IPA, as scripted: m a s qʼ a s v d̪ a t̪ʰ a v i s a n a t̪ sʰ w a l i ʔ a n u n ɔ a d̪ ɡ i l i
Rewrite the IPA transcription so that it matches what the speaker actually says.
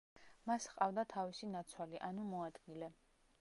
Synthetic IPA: m a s qʼ a v d̪ a t̪ʰ a v i s i n a t̪ sʰ w a l i ʔ a n u m ɔ a d̪ ɡ i l ɛ